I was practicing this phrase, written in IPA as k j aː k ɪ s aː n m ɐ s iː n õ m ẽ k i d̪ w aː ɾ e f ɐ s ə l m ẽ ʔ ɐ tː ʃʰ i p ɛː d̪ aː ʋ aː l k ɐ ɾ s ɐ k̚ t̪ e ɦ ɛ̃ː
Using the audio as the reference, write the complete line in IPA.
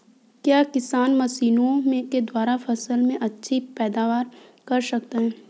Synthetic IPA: k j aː k ɪ s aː n m ɐ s iː n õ m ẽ k e d̪ w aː ɾ a f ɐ s ə l m ẽ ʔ ɐ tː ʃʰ i p ɛː d̪ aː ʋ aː ɾ k ɐ ɾ s ɐ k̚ t̪ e ɦ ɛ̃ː